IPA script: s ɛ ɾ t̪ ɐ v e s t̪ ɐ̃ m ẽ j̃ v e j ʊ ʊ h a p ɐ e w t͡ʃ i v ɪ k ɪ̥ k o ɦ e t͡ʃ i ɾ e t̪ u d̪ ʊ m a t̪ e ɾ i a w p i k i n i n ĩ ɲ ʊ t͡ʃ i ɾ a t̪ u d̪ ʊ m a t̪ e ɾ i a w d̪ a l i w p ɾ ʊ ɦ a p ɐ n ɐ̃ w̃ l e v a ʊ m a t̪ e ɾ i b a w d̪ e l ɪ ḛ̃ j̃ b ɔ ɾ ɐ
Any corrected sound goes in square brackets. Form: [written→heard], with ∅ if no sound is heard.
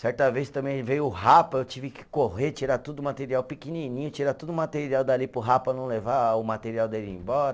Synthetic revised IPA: s ɛ ɾ t̪ ɐ v e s t̪ ɐ̃ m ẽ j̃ v e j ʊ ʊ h a p ɐ e w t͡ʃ i v ɪ k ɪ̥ k o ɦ e t͡ʃ i ɾ [e→a] t̪ u d̪ ʊ m a t̪ e ɾ i a w p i k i n i n ĩ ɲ ʊ t͡ʃ i ɾ a t̪ u d̪ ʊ m a t̪ e ɾ i a w d̪ a l i [w→∅] p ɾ ʊ ɦ a p ɐ n ɐ̃ w̃ l e v a ʊ m a t̪ e ɾ i [b→∅] a w d̪ e l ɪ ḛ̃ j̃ b ɔ ɾ ɐ